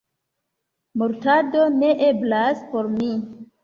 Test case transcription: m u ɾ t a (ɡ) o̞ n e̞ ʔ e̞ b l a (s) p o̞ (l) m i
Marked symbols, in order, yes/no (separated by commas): no, yes, no